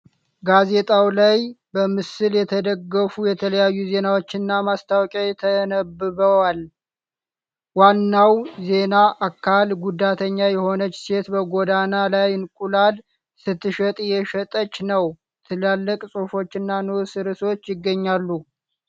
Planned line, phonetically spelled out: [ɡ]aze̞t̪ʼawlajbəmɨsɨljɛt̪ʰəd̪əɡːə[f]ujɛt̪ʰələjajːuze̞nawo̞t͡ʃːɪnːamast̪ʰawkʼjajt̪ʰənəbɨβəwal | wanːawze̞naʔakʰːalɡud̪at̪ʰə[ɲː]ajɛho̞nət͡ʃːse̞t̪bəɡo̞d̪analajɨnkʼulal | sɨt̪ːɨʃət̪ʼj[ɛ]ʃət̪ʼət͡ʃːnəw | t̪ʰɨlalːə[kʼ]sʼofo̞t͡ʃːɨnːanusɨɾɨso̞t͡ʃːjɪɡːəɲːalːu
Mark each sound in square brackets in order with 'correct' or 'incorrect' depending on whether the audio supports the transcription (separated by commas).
correct, correct, correct, correct, correct